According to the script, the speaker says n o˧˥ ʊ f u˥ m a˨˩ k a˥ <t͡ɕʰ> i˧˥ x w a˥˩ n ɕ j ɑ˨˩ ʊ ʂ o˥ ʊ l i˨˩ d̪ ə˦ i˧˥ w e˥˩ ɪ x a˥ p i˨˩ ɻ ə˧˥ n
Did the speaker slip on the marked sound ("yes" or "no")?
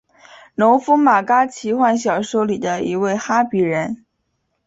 no